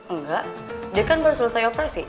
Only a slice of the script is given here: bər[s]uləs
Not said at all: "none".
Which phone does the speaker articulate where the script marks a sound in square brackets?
s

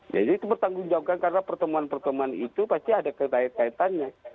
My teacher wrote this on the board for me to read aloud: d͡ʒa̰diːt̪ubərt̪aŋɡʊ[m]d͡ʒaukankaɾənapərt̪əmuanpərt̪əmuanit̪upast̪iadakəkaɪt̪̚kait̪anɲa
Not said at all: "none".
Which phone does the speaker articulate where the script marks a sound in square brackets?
ŋ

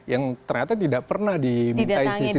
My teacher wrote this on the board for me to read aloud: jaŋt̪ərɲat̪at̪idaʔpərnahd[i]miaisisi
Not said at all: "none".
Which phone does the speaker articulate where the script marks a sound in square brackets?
i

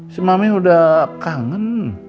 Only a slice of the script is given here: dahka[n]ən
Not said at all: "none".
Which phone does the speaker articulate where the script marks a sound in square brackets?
ŋ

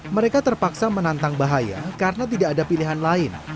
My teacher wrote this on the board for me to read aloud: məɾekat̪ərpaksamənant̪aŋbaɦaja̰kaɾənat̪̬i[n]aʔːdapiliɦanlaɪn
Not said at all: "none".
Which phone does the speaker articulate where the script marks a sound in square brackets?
d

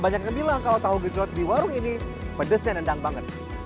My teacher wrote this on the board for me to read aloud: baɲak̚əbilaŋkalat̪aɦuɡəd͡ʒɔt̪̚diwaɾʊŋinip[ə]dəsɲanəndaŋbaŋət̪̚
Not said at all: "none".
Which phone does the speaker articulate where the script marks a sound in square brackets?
ə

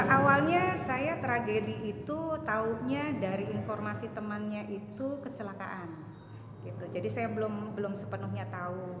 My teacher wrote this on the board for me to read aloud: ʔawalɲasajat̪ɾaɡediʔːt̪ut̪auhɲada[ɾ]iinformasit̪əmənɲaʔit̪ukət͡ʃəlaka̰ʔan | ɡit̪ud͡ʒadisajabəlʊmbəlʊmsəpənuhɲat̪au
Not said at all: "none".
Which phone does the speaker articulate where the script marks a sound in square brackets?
ɾ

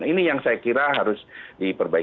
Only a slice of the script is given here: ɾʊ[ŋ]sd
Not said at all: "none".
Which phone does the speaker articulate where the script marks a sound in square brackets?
none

